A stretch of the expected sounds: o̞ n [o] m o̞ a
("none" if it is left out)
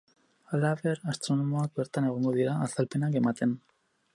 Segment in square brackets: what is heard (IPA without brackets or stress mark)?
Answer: o